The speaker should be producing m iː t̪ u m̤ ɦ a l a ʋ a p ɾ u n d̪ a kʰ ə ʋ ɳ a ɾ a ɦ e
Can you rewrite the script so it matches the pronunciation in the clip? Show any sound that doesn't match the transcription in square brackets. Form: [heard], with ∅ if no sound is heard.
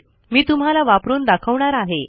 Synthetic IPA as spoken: m iː t̪ u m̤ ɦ a l a ʋ a p ɾ [uː] n d̪ a kʰ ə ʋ ɳ a ɾ a ɦ e